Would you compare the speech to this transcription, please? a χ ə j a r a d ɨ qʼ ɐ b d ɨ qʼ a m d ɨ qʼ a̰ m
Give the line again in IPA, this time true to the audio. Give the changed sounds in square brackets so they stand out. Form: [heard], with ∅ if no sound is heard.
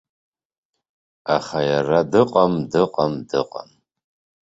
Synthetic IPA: a χ [a] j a r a d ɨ qʼ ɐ [m] d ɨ qʼ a m d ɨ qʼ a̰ m